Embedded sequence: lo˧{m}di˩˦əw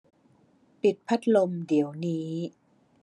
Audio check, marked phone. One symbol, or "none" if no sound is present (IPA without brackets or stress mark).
m